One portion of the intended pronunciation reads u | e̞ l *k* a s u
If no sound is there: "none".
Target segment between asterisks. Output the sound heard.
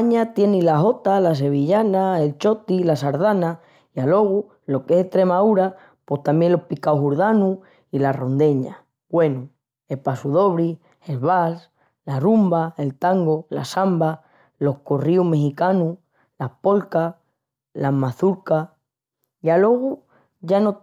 p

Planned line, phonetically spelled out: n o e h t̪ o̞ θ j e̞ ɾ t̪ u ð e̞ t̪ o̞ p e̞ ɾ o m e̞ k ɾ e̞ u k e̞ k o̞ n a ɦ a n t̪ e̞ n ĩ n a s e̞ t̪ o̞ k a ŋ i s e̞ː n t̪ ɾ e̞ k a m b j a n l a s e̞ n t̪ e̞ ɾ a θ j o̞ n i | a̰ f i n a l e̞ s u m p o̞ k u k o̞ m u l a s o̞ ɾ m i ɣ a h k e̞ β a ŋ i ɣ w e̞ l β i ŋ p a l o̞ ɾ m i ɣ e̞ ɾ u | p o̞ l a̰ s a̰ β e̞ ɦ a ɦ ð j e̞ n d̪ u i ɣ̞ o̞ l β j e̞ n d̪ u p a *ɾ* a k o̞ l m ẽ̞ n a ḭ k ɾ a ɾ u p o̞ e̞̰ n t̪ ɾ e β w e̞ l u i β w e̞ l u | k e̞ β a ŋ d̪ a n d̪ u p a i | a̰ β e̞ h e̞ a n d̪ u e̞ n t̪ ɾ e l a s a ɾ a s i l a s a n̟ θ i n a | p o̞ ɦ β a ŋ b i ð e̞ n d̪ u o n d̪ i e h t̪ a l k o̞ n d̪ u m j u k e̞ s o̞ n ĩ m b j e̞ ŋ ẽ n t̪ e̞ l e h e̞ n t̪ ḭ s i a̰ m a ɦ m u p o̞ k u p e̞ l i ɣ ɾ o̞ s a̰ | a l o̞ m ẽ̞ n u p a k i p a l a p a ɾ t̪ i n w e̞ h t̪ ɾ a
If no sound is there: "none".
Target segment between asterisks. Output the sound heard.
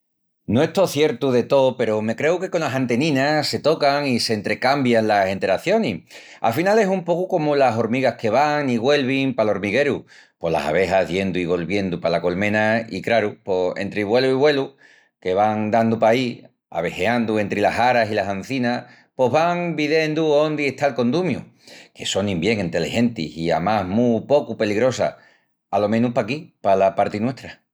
l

